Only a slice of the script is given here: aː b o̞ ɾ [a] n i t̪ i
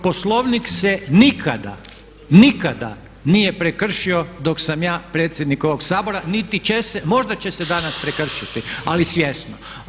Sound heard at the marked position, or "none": a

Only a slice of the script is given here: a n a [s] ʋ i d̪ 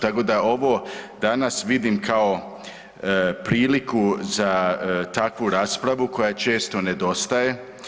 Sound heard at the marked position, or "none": s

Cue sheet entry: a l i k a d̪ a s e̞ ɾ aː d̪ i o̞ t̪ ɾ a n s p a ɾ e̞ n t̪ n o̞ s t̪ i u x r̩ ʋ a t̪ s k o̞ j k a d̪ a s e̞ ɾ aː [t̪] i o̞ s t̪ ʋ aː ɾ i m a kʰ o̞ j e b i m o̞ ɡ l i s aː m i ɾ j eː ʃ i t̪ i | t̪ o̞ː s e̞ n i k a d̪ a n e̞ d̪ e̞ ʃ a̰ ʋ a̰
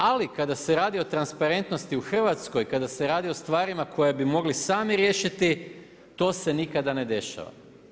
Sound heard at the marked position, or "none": d̪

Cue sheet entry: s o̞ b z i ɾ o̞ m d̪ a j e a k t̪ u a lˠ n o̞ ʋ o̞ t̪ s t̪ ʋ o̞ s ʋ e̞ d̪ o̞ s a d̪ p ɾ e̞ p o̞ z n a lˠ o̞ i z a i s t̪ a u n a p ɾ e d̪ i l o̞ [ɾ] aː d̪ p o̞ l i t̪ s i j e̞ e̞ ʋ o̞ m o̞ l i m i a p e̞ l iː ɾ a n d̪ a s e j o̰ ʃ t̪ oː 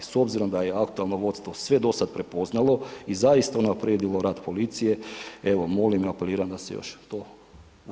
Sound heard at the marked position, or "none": ɾ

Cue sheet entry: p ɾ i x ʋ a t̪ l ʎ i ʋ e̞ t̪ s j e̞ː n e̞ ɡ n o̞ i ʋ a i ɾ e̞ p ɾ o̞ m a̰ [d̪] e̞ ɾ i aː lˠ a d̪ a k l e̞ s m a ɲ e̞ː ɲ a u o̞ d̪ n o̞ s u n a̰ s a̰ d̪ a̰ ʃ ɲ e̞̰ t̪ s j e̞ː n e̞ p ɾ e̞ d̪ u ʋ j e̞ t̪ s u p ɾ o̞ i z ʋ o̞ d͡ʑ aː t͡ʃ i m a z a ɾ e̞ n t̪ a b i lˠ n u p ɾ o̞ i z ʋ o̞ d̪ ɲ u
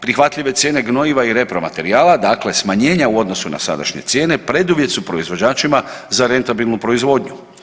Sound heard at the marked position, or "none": t̪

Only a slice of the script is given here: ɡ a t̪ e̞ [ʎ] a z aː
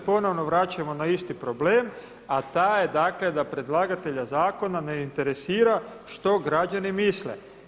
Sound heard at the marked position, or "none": ʎ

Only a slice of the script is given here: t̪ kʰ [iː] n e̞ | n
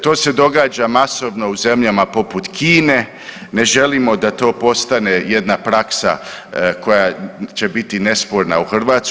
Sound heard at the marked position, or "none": iː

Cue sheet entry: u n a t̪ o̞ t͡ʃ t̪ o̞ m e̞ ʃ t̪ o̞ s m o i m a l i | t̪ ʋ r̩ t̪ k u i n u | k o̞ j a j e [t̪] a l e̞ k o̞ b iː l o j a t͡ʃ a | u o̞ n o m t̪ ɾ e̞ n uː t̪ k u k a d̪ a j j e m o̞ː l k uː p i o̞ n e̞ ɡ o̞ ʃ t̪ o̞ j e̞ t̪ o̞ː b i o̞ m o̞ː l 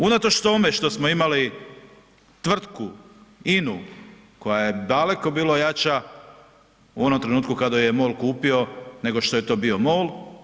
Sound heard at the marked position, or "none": d̪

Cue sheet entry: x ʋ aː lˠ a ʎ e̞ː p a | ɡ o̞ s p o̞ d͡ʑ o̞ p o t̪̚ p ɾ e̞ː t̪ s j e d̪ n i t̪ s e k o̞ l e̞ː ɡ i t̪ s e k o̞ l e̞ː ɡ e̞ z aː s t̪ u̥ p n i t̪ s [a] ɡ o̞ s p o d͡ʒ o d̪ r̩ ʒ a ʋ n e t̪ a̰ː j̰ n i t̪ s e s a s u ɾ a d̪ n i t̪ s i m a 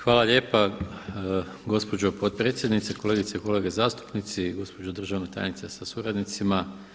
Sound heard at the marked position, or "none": i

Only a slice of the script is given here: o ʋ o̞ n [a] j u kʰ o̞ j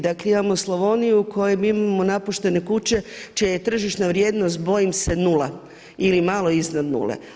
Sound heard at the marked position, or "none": i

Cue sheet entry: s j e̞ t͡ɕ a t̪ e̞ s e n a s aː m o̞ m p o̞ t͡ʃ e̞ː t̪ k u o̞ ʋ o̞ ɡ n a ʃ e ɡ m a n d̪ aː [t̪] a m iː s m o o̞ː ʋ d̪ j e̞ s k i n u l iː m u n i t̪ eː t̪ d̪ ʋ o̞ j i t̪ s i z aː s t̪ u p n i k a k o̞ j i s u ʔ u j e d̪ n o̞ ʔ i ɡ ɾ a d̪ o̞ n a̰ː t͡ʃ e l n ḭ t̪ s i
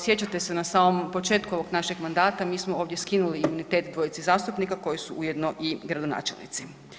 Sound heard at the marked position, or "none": t̪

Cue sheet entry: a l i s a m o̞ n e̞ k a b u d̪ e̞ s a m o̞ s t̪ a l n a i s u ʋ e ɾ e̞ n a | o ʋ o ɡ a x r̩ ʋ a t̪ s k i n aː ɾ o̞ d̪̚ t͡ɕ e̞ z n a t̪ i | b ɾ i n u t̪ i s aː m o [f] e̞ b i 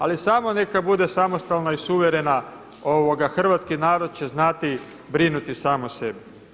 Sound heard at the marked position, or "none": s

